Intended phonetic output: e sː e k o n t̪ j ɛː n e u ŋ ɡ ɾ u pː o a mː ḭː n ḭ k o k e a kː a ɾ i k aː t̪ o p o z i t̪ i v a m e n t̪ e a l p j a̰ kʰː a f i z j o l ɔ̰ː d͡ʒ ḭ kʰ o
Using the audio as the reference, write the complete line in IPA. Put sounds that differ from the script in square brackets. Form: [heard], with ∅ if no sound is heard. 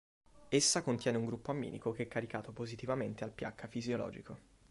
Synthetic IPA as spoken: e sː [a] k o n t̪ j ɛː n e u ŋ ɡ ɾ u pː o a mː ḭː n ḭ k o k e [ɛ] kː a ɾ i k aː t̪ o p o z i t̪ i v a m e n t̪ e a l p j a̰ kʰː a f i z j o l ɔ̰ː d͡ʒ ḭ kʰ o